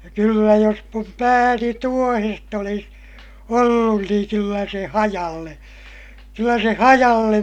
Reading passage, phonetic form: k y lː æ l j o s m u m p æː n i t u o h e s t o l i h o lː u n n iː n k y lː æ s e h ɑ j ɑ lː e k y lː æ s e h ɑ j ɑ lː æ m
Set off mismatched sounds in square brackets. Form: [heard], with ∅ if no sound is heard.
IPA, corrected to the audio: k y lː æ [∅] j o s m u m p æː n i t u o h e s t o l i [s] o lː u n n iː [ŋ] k y lː æ s e h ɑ j ɑ lː e k y lː æ s e h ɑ j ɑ lː [e] m